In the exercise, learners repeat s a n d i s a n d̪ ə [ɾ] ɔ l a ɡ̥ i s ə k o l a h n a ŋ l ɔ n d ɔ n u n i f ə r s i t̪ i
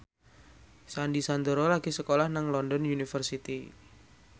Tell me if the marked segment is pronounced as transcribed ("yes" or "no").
yes